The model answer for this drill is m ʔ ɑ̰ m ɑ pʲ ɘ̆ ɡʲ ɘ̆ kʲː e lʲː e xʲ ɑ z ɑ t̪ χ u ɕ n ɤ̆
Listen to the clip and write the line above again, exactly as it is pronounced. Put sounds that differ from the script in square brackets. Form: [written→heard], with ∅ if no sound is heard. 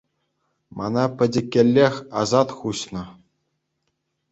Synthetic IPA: m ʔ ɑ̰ [m→n] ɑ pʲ ɘ̆ [ɡʲ→dʲ] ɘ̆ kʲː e lʲː e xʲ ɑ z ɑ t̪ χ u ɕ n ɤ̆